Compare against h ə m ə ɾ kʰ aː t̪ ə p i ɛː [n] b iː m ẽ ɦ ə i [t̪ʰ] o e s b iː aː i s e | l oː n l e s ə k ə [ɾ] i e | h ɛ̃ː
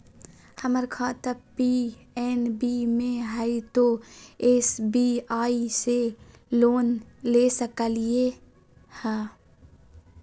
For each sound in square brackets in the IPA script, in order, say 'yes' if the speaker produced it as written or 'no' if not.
yes, no, no

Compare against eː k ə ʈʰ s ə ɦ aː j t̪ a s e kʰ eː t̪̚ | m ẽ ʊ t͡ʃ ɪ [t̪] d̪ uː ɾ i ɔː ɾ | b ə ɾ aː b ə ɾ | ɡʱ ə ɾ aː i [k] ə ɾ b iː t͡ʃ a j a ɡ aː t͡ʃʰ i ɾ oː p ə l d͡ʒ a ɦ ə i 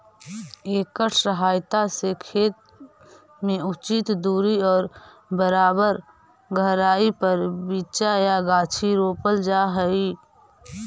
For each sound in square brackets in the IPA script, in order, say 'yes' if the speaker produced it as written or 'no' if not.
yes, no

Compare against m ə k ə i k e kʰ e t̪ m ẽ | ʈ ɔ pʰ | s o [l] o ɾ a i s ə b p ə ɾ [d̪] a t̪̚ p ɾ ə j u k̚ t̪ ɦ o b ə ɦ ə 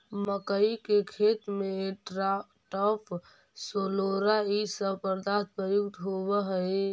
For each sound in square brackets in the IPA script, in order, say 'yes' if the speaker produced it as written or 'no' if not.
yes, yes

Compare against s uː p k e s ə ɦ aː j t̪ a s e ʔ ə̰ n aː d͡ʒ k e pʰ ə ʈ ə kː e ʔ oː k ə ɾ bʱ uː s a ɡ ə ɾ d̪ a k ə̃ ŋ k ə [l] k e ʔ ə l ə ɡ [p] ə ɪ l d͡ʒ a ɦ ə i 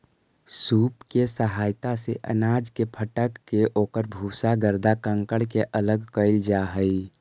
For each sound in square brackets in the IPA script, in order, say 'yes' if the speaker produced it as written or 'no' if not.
no, no

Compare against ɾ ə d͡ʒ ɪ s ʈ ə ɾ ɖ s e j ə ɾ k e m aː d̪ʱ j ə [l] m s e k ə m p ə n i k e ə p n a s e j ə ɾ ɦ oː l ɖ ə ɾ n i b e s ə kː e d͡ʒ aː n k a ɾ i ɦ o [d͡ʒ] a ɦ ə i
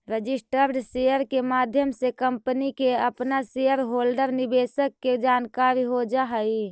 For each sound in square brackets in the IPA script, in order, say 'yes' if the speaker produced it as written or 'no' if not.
no, yes

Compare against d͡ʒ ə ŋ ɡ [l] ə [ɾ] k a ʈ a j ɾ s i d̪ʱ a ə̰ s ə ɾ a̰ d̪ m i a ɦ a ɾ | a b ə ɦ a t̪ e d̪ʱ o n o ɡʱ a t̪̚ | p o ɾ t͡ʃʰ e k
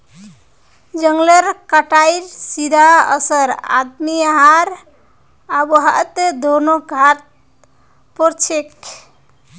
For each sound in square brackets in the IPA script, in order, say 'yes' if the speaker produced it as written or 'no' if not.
yes, yes

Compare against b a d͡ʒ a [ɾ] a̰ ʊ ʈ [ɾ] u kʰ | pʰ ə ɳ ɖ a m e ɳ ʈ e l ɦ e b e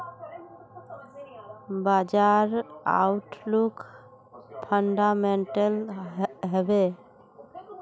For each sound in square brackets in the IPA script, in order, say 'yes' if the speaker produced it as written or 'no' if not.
yes, no

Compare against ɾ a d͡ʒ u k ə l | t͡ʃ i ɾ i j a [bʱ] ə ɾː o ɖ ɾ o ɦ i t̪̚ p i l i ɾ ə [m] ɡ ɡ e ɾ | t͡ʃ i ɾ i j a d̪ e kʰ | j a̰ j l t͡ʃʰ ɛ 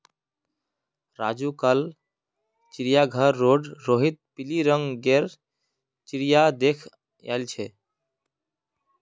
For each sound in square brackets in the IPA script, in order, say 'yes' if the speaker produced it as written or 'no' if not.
no, no

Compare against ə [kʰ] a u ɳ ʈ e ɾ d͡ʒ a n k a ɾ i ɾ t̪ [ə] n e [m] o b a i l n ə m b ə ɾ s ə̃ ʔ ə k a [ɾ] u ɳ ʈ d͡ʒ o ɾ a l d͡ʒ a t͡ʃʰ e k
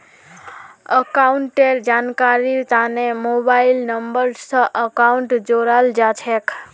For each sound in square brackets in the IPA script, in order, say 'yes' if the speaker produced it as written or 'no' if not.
no, no, yes, no

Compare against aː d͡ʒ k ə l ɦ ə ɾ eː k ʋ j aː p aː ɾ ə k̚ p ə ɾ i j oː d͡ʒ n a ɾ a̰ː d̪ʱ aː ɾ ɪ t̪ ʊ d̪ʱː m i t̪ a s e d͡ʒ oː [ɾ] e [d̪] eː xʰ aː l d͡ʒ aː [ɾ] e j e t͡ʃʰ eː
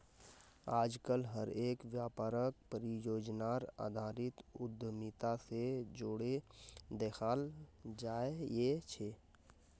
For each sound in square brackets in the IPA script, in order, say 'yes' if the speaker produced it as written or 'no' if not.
no, yes, no

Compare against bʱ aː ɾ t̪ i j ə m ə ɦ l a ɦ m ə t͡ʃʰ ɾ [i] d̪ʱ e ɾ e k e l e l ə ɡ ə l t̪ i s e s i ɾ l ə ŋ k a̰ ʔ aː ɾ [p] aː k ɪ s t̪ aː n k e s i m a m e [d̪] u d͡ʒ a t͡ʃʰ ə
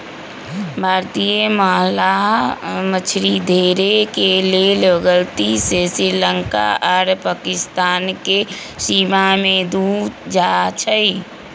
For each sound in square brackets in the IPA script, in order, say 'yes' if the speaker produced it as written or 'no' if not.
yes, yes, yes

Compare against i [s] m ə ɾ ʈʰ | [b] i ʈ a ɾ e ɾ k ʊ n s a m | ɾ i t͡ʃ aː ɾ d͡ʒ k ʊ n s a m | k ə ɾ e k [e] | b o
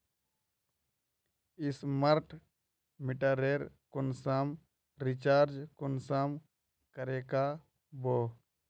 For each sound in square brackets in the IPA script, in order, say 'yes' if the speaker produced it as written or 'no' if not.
yes, no, no

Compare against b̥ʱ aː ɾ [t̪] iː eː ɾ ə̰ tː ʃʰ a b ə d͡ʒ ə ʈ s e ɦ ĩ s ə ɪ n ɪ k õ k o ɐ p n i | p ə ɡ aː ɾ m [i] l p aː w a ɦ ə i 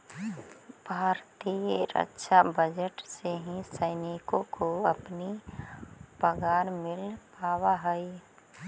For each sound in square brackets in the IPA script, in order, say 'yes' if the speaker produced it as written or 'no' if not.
yes, no

